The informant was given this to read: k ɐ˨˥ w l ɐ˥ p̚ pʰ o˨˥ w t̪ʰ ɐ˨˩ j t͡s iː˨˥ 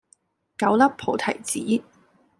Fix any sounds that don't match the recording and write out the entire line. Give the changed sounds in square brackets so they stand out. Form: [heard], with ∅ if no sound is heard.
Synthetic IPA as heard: k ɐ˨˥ w l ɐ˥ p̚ pʰ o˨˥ w t̪ʰ ɐ˨˩ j t͡s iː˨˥

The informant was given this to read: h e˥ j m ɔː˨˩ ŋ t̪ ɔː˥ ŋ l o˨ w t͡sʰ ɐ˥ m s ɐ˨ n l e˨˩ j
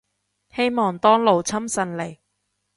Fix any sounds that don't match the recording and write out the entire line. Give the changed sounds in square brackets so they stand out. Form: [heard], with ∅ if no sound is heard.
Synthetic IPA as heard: h e˥ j m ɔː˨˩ ŋ t̪ ɔː˥ ŋ l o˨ w t͡sʰ ɐ˥ m s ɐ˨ n l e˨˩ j

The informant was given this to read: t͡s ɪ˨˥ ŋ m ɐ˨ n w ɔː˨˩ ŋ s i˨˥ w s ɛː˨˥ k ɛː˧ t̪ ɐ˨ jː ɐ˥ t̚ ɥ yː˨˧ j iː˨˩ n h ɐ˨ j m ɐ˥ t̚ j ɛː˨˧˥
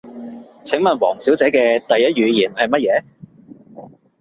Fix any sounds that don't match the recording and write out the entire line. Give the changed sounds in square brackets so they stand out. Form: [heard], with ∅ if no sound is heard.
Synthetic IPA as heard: [t͡sʰ] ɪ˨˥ ŋ m ɐ˨ n w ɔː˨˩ ŋ s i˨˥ w [t͡s] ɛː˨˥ k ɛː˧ t̪ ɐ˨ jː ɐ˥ t̚ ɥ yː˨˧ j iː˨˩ n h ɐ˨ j m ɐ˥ t̚ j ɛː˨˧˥

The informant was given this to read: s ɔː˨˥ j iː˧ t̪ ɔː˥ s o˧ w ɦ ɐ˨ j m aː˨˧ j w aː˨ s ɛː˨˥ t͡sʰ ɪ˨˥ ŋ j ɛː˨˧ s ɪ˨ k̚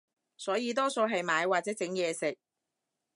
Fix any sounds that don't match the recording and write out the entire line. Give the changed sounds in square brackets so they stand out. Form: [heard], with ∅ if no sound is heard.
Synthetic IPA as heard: s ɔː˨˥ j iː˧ t̪ ɔː˥ s o˧ w ɦ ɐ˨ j m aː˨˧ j w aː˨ [t͡s] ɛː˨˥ [t͡s] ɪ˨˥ ŋ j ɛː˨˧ s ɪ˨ k̚

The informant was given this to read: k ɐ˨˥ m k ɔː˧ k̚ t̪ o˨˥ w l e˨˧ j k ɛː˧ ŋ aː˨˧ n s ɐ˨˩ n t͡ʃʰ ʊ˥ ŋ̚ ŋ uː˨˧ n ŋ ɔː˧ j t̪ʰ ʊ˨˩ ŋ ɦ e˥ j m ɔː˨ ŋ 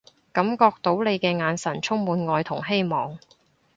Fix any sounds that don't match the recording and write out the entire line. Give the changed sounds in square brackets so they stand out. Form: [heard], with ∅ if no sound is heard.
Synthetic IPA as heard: k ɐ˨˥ m k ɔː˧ k̚ t̪ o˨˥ w l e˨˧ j k ɛː˧ ŋ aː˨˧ n s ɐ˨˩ n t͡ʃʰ ʊ˥ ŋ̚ [m] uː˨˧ n ŋ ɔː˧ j t̪ʰ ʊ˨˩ ŋ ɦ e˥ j m ɔː˨ ŋ

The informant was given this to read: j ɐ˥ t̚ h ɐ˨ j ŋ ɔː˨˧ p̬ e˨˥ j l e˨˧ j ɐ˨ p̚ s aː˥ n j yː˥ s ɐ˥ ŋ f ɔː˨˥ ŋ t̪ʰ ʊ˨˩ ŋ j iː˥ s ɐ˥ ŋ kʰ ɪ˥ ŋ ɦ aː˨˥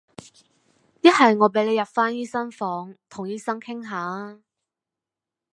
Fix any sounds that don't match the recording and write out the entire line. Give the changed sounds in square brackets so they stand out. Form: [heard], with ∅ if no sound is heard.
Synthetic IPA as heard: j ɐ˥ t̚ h ɐ˨ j ŋ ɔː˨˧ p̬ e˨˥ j l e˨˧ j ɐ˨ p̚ [f] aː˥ n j [iː˥] s ɐ˥ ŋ f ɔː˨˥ ŋ t̪ʰ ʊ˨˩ ŋ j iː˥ s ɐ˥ ŋ kʰ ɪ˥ ŋ ɦ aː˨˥

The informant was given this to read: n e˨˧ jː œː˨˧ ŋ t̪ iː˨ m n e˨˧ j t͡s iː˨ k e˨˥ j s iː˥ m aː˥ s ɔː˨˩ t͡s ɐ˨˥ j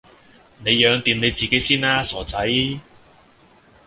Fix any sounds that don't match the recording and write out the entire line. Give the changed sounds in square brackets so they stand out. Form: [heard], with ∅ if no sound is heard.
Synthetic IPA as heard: n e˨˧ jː œː˨˧ ŋ t̪ iː˨ m n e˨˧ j t͡s iː˨ k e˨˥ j s iː˥ [n] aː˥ s ɔː˨˩ t͡s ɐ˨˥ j

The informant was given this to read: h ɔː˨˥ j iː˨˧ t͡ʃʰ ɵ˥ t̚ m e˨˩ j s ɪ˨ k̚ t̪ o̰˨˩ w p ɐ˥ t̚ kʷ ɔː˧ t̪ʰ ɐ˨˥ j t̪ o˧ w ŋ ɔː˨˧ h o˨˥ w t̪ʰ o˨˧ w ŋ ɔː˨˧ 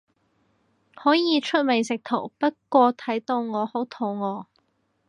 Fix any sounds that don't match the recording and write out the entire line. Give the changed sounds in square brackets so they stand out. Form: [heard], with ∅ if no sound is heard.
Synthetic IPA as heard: h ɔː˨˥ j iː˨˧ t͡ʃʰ ɵ˥ t̚ m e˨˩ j s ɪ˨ k̚ [t̪ʰ] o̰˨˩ w p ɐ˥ t̚ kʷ ɔː˧ t̪ʰ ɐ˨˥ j t̪ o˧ w ŋ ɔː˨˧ h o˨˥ w t̪ʰ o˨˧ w ŋ ɔː˨˧

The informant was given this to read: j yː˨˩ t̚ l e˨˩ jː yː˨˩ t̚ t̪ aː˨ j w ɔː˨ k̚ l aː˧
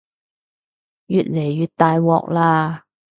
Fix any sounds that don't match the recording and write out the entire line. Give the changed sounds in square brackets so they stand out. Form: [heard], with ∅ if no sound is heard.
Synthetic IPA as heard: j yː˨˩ t̚ l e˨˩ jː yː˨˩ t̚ t̪ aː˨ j w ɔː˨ k̚ l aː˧

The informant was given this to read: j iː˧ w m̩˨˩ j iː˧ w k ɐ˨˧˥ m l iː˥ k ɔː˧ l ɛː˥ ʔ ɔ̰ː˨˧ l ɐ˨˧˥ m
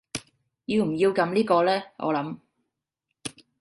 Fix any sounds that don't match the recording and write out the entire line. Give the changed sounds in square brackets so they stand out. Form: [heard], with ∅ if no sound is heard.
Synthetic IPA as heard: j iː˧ w m̩˨˩ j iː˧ w k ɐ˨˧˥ m l iː˥ k ɔː˧ l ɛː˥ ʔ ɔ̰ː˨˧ l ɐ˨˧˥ m

